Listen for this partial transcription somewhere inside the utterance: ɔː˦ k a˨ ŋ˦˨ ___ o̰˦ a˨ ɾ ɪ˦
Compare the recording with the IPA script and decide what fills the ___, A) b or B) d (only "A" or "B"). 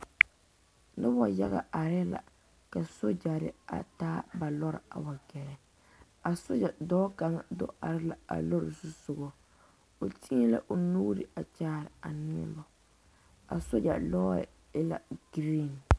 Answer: B